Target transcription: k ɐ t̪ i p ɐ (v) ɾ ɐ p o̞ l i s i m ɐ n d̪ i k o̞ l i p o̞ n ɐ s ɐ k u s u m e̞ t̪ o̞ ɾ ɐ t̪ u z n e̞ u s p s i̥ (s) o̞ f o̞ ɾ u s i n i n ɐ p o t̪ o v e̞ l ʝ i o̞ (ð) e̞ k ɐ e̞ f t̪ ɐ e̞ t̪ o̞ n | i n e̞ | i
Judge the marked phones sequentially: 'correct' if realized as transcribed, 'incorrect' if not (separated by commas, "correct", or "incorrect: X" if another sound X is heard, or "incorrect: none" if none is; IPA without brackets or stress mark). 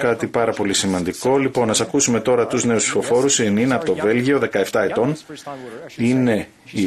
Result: incorrect: none, incorrect: f, correct